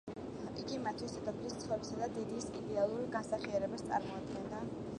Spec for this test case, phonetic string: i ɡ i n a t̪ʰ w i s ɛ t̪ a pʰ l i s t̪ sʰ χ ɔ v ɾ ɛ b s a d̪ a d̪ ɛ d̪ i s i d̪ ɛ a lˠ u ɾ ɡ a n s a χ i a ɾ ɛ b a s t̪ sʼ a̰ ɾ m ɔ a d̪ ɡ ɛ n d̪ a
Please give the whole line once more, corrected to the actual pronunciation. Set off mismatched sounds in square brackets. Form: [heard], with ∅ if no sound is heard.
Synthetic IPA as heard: i ɡ i [m] a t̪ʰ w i s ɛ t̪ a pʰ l i s t̪ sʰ χ ɔ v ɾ ɛ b s a d̪ a d̪ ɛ d̪ i s i d̪ ɛ a lˠ u ɾ ɡ a n s a χ i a ɾ ɛ b a s t̪ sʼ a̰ ɾ m ɔ a d̪ ɡ ɛ n d̪ a